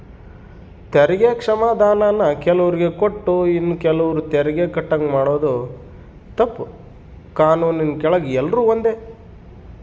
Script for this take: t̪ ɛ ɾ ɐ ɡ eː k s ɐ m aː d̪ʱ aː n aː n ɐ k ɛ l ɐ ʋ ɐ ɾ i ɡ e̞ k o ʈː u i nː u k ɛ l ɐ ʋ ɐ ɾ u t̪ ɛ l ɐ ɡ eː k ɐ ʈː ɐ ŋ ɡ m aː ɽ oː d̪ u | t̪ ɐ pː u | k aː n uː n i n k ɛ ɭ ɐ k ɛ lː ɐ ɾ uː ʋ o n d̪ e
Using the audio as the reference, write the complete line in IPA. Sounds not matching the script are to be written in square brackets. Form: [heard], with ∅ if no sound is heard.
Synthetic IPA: t̪ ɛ ɾ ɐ ɡ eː k [ʂ] ɐ m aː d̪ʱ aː n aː n ɐ k ɛ l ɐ ʋ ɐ ɾ i ɡ e̞ k o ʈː u i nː u k ɛ l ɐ ʋ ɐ ɾ u t̪ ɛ [ɾ] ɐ ɡ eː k ɐ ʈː ɐ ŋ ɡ m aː ɽ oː d̪ u | t̪ ɐ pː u | k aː n uː n i n k ɛ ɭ ɐ [ɡ] ɛ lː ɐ ɾ uː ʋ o n d̪ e